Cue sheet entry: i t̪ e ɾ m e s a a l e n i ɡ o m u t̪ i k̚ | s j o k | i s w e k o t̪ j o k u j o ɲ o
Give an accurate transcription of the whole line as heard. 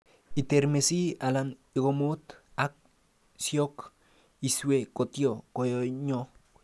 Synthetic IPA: i t̪ e ɾ m e s i a l a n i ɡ o m u t̪ a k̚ | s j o k | i s w e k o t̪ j o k o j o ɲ o